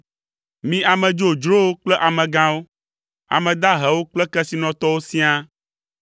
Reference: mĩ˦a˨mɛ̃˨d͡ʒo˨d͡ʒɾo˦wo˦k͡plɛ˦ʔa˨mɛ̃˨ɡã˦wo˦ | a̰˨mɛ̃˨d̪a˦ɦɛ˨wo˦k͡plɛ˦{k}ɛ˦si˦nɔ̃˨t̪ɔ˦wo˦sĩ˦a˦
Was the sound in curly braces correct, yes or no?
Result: yes